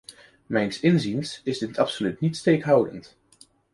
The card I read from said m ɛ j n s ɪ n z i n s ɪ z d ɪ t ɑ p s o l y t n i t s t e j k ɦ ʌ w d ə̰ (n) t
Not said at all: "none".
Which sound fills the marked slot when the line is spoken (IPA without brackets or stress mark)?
n